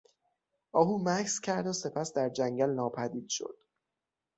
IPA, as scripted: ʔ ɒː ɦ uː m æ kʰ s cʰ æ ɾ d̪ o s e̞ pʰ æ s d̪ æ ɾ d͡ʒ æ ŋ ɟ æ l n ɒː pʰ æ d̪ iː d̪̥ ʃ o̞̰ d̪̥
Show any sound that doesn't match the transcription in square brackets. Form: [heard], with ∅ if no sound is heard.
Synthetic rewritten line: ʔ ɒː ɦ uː m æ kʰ s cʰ æ ɾ d̪ o s e̞ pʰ æ s d̪ æ ɾ d͡ʒ æ ŋ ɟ æ l n ɒː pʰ æ d̪ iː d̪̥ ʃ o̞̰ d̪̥